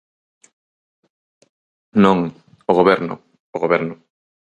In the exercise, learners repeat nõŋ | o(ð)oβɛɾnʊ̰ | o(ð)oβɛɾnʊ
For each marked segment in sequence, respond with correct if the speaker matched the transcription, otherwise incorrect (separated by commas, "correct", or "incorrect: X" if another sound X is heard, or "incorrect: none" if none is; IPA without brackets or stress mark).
incorrect: ɣ, incorrect: ɣ